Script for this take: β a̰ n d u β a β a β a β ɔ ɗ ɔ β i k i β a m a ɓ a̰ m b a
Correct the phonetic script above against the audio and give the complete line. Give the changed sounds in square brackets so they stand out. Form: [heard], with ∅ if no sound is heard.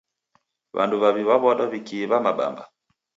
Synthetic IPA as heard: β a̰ n d u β a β [i] β a β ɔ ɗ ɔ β i k i β a m a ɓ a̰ m b a